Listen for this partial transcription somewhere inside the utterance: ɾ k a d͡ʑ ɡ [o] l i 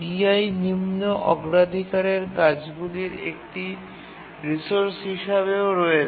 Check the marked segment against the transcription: incorrect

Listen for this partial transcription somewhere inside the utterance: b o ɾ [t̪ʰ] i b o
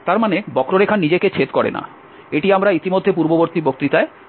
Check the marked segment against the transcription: incorrect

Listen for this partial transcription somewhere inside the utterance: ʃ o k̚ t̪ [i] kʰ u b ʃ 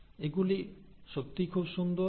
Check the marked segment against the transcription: correct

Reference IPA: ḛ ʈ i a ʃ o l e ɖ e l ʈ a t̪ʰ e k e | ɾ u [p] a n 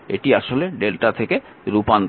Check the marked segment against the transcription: correct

